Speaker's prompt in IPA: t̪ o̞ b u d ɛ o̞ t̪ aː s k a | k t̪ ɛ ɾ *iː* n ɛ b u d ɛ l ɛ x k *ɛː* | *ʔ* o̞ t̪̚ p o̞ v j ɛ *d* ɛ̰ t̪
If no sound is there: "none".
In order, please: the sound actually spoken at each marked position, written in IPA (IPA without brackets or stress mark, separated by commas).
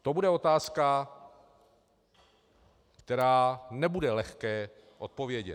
aː, ɛː, ʔ, ɟ